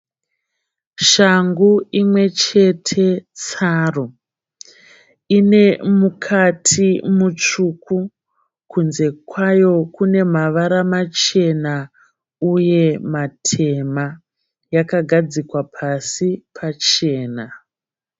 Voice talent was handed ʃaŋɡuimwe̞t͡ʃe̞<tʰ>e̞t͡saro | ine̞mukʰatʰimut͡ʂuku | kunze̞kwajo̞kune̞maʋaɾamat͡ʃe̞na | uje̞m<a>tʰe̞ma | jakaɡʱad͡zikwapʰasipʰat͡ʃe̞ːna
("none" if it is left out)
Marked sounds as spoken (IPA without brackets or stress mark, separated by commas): tʰ, a